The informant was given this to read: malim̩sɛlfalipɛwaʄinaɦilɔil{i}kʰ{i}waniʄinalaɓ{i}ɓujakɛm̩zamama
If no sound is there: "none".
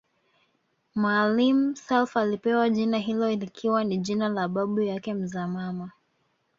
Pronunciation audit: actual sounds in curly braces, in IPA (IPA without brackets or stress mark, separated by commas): i, i, a